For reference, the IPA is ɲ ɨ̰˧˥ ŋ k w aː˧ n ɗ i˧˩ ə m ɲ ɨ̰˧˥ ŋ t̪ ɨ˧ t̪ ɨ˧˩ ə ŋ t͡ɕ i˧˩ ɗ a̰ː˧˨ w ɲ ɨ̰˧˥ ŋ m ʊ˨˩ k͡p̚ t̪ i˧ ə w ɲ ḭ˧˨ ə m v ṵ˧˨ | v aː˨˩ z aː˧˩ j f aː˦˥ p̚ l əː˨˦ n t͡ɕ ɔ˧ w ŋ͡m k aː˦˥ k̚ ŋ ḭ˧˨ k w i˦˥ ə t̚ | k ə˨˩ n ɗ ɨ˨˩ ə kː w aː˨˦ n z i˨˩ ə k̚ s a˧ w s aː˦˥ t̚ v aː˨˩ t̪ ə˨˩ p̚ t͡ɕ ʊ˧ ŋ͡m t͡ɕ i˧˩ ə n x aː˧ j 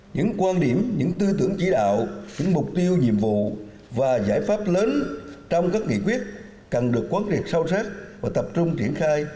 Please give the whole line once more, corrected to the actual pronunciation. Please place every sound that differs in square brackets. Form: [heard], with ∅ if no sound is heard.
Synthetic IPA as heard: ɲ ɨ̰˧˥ ŋ k w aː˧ n ɗ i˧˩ ə m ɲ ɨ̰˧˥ ŋ t̪ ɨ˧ t̪ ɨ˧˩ ə ŋ t͡ɕ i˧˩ ɗ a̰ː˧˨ w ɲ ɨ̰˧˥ ŋ m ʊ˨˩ k͡p̚ t̪ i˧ ə w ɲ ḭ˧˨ ə m v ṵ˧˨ | v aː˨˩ z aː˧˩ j f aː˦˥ p̚ l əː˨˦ n t͡ɕ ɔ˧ w ŋ͡m k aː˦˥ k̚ ŋ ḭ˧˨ k w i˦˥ ə t̚ | k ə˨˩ n ɗ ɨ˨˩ ə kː w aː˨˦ n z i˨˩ ə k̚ s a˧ w s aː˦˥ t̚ v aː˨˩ t̪ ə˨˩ p̚ t͡ɕ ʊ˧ ŋ͡m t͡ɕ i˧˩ ə n x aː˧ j